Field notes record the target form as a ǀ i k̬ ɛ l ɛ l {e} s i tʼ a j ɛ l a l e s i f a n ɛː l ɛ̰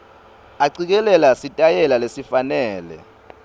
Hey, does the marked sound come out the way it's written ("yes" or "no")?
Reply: no